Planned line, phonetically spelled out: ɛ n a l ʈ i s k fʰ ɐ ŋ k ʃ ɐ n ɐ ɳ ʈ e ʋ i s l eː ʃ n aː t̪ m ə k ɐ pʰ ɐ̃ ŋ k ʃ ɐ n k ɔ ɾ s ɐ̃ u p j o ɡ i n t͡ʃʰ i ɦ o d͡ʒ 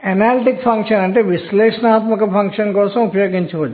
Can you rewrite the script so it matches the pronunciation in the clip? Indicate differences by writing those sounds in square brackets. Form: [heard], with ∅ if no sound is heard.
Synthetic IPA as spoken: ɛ n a l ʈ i [∅] k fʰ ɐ ŋ k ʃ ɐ n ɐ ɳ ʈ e ʋ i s l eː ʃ n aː t̪ m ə k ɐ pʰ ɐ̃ ŋ k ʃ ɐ n k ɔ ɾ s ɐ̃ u p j o ɡ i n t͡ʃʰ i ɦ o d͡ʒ